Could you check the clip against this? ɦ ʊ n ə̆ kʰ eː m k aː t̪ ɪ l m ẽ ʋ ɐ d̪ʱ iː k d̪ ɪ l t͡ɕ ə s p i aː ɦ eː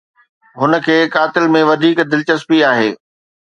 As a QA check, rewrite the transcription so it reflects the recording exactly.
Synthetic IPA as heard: ɦ ʊ n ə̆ kʰ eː k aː t̪ ɪ l m ẽ ʋ ɐ d̪ʱ iː k d̪ ɪ l t͡ɕ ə s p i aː ɦ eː